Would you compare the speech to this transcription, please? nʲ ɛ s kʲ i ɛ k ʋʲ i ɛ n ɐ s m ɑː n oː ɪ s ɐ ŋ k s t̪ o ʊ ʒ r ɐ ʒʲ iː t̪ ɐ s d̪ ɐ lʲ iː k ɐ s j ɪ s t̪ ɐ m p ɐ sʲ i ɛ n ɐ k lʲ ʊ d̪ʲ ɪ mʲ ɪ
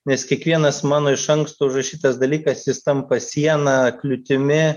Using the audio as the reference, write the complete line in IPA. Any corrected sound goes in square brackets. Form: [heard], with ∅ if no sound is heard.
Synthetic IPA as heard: nʲ ɛ s kʲ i ɛ k ʋʲ i ɛ n ɐ s m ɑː n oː ɪ [ʃ] ɐ ŋ k s t̪ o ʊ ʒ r ɐ [ʃʲ] iː t̪ ɐ s d̪ ɐ lʲ iː k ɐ s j ɪ s t̪ ɐ m p ɐ sʲ i ɛ n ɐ k lʲ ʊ [t̪ʲ] ɪ mʲ ɪ